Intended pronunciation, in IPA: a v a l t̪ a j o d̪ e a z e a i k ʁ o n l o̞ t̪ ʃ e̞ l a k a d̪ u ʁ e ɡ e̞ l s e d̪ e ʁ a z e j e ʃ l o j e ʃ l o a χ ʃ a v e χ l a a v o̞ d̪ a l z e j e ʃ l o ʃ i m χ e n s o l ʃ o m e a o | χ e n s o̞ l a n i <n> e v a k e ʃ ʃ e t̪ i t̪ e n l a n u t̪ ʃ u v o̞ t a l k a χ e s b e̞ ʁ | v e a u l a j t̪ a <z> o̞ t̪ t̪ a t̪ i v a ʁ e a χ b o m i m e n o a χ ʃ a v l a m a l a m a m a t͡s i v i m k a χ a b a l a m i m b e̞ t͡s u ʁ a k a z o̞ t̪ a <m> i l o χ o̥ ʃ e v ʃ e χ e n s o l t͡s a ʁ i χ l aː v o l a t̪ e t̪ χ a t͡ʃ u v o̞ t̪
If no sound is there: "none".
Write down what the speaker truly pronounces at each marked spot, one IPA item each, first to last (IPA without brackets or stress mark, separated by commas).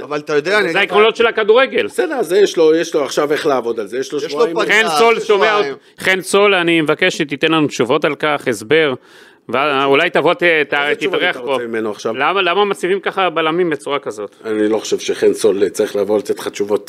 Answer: m, v, n